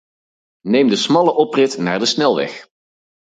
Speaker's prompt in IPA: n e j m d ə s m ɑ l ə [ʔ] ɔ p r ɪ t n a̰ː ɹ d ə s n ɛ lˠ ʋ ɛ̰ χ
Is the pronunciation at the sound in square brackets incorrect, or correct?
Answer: correct